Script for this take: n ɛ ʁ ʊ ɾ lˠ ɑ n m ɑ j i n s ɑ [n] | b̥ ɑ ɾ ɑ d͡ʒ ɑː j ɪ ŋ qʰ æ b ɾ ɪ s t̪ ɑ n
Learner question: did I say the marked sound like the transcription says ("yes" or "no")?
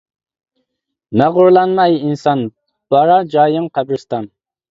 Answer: yes